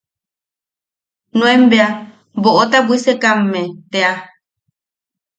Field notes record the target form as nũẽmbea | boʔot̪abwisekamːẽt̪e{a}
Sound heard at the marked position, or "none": a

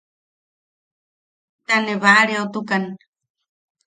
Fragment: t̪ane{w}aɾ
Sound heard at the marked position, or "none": β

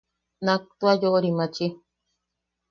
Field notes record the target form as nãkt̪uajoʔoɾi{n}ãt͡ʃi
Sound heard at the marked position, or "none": m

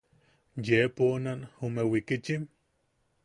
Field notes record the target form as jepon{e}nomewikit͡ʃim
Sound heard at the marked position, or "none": a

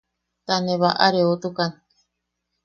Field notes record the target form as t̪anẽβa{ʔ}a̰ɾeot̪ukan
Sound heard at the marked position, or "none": ʔ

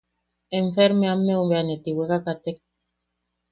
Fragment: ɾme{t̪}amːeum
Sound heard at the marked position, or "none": none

